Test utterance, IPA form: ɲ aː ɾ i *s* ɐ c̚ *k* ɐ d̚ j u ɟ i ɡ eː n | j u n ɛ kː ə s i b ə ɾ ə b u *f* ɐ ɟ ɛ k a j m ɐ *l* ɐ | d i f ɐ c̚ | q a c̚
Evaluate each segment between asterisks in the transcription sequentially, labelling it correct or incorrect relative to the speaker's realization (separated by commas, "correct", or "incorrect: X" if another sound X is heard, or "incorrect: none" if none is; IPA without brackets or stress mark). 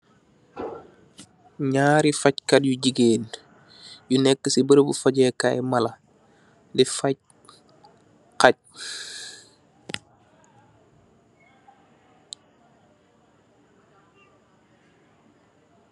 incorrect: f, correct, correct, correct